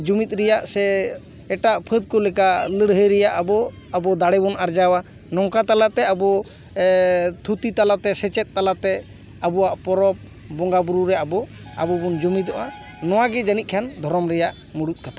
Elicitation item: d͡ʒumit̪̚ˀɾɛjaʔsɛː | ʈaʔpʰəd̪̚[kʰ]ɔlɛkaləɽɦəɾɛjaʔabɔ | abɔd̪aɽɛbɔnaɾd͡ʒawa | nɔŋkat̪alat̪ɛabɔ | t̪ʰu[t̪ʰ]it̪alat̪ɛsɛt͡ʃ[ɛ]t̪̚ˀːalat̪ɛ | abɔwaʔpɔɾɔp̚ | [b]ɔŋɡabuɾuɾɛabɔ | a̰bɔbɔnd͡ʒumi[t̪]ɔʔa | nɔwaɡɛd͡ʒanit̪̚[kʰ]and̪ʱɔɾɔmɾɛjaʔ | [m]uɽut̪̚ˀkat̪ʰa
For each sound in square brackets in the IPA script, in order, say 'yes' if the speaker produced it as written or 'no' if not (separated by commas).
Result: no, no, yes, yes, no, yes, yes